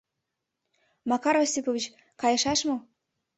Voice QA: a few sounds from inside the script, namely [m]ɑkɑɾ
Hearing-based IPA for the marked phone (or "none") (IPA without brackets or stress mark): m